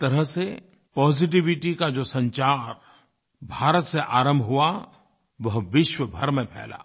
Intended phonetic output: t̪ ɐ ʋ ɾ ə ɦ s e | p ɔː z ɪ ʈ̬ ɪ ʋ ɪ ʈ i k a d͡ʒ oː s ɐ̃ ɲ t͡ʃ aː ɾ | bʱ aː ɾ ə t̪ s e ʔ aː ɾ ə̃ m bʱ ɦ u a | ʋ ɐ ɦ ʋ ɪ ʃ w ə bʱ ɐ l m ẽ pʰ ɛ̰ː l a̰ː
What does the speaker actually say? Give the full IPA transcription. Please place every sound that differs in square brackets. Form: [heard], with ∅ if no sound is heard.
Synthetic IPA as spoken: t̪ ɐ [∅] ɾ ə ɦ s e | p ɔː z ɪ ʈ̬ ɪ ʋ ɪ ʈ i k a d͡ʒ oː s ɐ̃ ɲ t͡ʃ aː ɾ | bʱ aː ɾ ə t̪ s e ʔ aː ɾ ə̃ m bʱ ɦ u a | ʋ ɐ ɦ ʋ ɪ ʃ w ə bʱ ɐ [ɾ] m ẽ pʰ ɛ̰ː l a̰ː